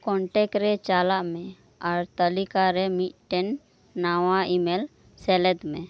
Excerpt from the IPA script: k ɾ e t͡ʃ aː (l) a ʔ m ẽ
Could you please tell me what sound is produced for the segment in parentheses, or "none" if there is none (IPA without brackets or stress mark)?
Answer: l